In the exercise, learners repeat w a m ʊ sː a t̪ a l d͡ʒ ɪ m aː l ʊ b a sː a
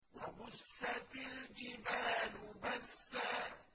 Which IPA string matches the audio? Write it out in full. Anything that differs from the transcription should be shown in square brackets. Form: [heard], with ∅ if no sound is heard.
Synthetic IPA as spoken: w a [b] ʊ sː a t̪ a l d͡ʒ ɪ [b] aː l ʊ b a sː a